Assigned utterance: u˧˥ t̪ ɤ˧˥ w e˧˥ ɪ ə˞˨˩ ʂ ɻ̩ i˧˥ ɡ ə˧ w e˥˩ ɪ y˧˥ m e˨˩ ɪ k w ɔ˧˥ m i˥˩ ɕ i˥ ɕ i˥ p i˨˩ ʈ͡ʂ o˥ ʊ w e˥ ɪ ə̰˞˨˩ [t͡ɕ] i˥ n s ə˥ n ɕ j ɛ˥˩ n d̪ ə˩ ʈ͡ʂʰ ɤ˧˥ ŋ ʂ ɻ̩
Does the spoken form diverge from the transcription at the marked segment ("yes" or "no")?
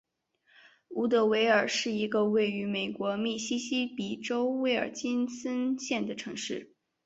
no